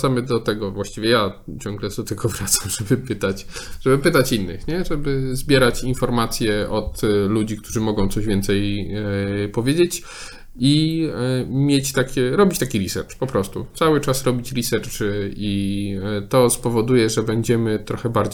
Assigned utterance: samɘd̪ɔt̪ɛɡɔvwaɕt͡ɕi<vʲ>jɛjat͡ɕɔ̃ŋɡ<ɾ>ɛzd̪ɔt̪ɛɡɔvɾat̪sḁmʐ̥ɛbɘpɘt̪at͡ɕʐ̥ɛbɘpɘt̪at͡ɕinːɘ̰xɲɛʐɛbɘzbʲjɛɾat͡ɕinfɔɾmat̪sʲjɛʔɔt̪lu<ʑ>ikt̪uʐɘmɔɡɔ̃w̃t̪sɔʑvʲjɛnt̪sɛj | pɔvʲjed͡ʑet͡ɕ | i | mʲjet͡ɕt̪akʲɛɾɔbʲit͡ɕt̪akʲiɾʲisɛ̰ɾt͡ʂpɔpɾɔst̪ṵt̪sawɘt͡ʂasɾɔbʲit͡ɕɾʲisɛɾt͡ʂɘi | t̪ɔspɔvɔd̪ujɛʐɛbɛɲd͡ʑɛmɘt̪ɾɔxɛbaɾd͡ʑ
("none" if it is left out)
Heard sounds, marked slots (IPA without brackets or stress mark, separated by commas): vʲ, l, d͡ʑ